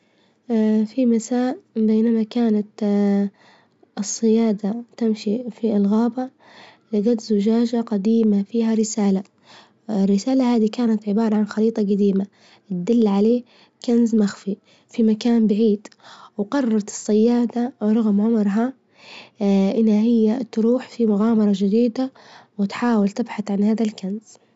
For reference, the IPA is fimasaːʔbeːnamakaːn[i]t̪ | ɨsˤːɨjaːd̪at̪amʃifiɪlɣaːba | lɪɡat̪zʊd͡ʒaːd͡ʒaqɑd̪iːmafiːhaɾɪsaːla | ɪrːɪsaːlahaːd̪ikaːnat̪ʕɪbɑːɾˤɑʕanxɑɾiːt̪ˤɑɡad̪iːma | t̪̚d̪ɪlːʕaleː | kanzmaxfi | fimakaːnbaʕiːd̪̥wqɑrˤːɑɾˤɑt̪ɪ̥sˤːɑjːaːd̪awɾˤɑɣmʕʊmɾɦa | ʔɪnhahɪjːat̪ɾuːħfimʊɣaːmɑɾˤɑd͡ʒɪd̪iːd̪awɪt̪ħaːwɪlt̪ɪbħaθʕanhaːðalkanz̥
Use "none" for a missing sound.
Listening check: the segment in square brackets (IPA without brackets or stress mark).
a